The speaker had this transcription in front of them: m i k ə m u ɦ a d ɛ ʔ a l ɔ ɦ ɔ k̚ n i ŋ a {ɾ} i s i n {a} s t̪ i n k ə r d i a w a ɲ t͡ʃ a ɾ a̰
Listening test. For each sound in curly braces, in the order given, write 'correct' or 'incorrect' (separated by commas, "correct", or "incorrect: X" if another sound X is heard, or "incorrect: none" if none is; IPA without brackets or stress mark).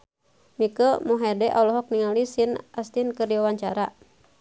incorrect: l, correct